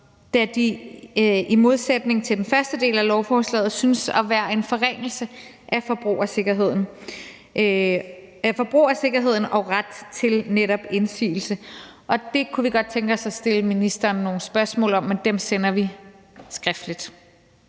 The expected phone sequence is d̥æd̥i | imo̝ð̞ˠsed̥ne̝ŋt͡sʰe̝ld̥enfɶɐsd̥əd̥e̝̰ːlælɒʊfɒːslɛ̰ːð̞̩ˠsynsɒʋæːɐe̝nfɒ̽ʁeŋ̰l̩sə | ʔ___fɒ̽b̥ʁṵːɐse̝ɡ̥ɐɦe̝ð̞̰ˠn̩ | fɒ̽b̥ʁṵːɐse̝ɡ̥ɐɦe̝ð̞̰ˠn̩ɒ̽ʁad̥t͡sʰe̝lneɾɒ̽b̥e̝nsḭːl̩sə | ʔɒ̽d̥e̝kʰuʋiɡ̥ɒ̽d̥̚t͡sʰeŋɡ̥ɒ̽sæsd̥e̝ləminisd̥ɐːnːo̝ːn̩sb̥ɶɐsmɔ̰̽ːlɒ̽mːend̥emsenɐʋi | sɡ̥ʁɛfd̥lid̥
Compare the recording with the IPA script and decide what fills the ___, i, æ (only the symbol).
æ